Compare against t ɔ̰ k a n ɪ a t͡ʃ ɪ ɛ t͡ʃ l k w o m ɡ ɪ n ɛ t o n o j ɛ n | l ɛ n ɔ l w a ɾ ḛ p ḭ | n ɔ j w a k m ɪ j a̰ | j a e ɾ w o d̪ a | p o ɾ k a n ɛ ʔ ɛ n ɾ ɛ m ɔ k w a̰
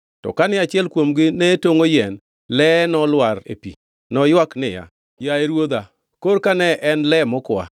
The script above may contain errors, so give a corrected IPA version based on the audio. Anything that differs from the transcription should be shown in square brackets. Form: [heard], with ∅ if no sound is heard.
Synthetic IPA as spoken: t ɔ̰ k a n ɪ a t͡ʃ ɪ ɛ [∅] l k w o m ɡ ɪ n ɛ t o [ŋ] o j ɛ n | l ɛ n ɔ l w a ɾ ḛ p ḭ | n ɔ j w a k [n] ɪ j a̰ | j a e ɾ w o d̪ a | [k] o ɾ k a n ɛ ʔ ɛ n [l] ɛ m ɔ k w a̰